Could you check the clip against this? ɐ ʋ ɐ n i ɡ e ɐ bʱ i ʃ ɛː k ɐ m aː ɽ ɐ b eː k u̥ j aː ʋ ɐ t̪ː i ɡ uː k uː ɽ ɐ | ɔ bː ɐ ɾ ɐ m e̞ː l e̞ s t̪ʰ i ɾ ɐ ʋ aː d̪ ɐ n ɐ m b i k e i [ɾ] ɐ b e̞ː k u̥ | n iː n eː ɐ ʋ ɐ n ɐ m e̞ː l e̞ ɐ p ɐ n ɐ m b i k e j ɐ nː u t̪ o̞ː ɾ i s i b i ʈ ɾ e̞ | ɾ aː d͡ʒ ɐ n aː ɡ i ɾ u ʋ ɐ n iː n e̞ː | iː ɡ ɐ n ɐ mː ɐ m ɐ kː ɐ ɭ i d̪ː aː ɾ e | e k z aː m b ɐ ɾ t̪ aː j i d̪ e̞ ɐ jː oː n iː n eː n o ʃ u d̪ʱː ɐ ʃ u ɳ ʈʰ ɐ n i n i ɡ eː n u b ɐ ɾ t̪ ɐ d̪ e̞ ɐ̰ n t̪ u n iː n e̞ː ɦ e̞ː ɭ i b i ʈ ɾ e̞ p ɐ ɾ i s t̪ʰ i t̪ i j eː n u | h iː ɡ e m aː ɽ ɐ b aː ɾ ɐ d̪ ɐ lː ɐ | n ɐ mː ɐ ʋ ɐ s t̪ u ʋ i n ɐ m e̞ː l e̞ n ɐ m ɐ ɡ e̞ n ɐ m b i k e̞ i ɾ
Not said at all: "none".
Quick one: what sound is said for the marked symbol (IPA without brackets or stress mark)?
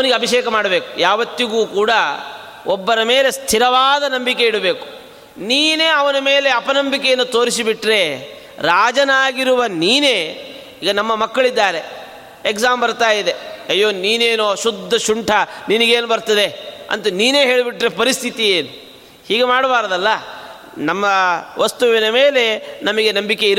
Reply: ɽ